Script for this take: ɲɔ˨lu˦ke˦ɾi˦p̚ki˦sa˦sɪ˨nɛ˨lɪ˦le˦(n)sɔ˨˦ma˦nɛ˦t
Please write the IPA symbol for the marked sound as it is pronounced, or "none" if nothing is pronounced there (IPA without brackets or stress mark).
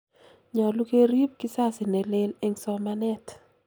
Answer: ŋ